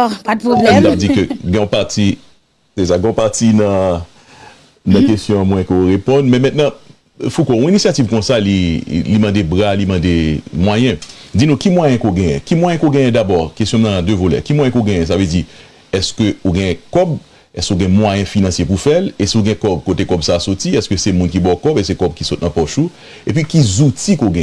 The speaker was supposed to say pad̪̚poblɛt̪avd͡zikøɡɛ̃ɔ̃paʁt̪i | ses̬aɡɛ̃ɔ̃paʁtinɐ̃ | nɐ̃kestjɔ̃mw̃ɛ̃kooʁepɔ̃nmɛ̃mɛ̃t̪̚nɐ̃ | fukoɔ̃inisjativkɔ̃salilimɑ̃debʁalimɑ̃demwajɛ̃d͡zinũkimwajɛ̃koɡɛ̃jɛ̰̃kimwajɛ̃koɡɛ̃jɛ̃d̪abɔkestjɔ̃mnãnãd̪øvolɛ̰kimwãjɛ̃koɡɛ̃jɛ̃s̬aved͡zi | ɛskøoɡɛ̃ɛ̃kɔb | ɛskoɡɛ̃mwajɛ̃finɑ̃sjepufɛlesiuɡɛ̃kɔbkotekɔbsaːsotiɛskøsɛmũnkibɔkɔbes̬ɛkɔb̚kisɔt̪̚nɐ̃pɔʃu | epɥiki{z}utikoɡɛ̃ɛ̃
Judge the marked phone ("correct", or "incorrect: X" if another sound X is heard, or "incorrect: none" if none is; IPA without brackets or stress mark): correct